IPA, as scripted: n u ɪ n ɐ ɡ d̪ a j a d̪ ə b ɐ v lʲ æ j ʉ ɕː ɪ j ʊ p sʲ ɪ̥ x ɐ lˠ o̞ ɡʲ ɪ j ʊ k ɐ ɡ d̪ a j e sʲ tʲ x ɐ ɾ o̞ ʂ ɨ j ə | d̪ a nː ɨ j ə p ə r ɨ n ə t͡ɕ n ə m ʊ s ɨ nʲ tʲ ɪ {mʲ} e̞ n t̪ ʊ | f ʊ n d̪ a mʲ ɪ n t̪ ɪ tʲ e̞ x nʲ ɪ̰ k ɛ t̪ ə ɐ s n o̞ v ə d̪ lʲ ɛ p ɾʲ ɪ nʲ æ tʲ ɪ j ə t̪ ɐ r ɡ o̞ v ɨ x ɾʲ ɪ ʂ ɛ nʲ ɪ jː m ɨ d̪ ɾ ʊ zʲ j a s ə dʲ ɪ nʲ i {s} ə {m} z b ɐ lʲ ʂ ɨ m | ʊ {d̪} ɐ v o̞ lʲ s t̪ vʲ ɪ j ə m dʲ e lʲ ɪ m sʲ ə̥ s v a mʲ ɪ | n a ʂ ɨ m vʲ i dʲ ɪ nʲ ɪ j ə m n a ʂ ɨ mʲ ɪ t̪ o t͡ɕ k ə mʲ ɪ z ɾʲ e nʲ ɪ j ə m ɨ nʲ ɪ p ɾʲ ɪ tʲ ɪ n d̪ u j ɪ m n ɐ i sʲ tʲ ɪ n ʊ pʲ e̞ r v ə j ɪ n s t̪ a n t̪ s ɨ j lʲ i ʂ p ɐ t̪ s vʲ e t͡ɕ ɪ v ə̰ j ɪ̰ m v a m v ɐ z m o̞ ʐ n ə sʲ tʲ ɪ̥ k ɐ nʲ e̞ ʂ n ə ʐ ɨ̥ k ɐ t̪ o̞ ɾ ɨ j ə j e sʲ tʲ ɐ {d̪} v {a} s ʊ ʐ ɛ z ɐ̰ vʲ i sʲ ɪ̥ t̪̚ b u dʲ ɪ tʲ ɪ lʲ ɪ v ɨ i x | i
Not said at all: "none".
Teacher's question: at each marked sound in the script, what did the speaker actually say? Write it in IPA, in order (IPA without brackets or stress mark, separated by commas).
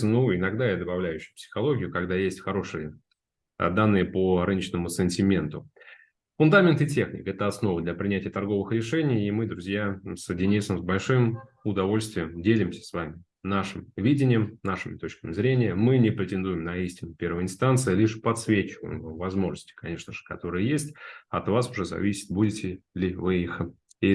mʲ, s, m, d̪, t̪, a